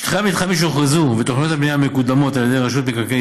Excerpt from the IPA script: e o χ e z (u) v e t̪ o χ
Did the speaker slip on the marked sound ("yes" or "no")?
no